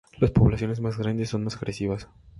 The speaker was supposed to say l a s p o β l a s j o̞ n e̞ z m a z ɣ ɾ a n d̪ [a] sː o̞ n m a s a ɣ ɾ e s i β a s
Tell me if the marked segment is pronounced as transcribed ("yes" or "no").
no